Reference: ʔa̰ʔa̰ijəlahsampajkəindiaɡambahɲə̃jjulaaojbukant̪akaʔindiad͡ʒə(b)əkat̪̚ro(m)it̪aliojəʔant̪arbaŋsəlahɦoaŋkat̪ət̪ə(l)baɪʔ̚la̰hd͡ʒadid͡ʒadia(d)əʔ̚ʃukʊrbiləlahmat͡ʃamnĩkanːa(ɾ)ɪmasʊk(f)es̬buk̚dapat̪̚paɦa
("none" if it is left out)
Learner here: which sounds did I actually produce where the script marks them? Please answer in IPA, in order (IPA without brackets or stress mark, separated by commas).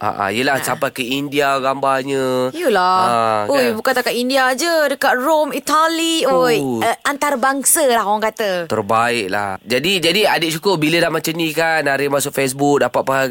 d, m, r, d, ɾ, f